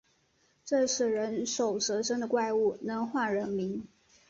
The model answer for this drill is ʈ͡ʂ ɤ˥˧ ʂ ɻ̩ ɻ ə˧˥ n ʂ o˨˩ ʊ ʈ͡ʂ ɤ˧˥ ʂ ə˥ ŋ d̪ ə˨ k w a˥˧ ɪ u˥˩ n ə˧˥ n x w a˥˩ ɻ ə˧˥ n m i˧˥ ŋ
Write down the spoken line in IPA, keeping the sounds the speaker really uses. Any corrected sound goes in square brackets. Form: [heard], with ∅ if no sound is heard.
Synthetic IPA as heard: ʈ͡ʂ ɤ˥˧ ʂ ɻ̩ ɻ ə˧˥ n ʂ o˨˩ ʊ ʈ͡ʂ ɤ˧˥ ʂ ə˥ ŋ d̪ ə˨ k w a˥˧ ɪ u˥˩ n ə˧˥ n x w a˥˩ ɻ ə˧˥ n m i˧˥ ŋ